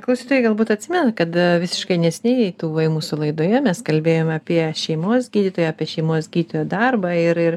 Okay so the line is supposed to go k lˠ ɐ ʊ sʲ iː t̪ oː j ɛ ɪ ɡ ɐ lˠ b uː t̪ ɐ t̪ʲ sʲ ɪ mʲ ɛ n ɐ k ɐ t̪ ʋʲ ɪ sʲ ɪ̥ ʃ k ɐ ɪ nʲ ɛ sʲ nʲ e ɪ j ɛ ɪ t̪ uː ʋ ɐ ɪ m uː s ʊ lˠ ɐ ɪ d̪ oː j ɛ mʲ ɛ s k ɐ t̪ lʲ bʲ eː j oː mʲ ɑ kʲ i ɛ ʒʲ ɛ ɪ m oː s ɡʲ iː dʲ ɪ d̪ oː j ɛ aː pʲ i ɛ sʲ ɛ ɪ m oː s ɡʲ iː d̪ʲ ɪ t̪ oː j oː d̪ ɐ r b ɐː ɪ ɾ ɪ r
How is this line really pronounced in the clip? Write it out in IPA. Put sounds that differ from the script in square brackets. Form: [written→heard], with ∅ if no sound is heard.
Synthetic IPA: k lˠ ɐ ʊ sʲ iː t̪ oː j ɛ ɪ ɡ ɐ lˠ b uː t̪ ɐ t̪ʲ sʲ ɪ mʲ ɛ n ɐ k ɐ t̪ ʋʲ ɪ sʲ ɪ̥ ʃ k ɐ ɪ nʲ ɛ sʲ nʲ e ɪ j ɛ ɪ t̪ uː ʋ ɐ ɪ m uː s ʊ lˠ ɐ ɪ d̪ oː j ɛ mʲ ɛ s k ɐ [t̪→∅] lʲ bʲ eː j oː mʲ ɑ [kʲ→pʲ] i ɛ [ʒʲ→ʃʲ] ɛ ɪ m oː s ɡʲ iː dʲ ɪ [d̪→t̪] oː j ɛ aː pʲ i ɛ [sʲ→ʃʲ] ɛ ɪ m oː s ɡʲ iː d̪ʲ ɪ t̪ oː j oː d̪ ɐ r b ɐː ɪ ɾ ɪ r